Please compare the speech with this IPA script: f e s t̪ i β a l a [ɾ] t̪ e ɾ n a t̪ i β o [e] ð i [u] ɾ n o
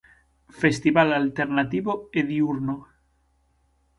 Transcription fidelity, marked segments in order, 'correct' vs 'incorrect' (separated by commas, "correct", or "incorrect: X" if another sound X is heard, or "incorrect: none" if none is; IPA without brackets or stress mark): incorrect: l, correct, correct